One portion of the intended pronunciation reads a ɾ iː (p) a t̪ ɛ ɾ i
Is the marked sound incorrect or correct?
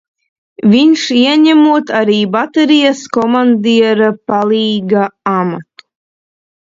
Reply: incorrect